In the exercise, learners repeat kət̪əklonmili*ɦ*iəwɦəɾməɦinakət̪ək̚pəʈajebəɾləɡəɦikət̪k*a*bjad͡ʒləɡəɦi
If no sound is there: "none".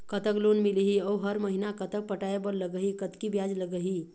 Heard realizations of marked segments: ɦ, i

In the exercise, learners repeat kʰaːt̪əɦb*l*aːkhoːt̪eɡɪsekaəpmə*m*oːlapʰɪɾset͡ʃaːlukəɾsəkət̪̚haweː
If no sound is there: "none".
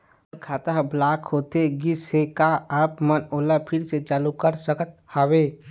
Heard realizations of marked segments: l, n

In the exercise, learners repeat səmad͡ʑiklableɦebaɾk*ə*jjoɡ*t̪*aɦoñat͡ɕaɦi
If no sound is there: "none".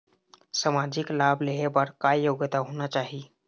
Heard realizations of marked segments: a, t̪

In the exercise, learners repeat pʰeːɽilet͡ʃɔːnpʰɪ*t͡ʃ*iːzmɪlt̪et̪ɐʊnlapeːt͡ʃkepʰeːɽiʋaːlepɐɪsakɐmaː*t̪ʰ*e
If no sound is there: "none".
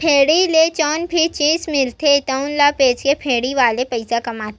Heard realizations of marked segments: t͡ʃ, t̪

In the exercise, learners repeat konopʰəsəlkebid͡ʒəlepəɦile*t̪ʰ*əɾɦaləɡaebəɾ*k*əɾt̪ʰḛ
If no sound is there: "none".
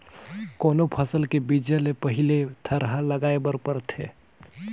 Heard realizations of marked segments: t̪ʰ, p

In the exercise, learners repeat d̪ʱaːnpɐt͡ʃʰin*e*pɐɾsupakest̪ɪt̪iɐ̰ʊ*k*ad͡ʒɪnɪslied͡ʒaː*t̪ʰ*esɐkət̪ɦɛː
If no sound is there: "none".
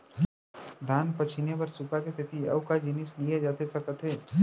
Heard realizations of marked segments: e, k, t̪

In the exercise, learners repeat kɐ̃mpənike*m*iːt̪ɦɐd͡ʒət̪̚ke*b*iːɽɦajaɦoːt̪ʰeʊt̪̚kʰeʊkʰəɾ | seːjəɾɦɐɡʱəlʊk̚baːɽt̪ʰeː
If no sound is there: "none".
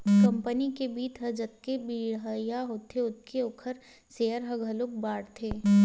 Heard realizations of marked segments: b, b

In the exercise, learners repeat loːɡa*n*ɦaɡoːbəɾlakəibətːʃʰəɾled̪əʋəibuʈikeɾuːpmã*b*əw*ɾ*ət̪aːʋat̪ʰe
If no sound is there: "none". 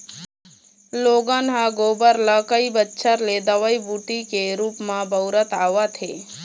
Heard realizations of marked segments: n, b, ɾ

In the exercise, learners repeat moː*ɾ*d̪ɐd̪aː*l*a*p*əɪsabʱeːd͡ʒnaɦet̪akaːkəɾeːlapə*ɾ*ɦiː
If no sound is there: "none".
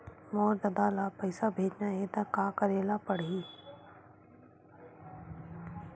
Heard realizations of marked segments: ɾ, l, p, ɽ

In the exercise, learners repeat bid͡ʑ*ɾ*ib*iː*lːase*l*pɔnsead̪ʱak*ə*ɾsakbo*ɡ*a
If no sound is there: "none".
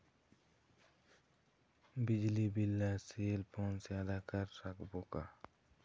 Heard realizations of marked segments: l, i, l, a, k

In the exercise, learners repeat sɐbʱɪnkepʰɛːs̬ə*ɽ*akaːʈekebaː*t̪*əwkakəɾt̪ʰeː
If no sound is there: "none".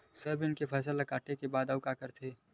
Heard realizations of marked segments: l, d̪

